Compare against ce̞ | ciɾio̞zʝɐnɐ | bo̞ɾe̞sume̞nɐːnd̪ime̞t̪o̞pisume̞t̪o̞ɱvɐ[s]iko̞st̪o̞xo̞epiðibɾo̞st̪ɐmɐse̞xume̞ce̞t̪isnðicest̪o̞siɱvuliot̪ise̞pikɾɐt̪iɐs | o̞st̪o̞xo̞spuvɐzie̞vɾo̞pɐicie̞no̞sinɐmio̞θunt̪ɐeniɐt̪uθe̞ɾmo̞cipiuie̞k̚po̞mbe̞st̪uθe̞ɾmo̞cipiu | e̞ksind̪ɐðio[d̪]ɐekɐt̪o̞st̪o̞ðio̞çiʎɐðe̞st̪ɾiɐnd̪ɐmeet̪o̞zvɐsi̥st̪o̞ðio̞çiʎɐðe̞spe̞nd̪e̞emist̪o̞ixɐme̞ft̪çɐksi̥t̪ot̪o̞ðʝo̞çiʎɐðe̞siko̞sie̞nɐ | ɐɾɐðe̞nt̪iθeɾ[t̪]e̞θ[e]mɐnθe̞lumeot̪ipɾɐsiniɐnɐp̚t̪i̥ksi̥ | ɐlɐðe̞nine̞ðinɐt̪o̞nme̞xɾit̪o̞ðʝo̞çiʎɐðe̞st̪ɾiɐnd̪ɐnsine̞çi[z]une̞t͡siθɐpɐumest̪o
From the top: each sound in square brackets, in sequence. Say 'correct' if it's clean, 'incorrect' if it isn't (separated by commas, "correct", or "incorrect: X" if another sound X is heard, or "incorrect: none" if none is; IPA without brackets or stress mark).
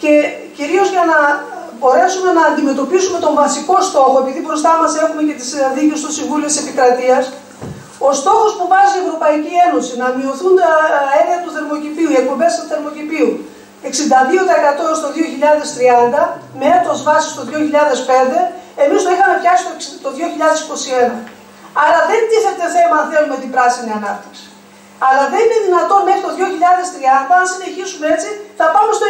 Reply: correct, incorrect: t̪, correct, correct, incorrect: s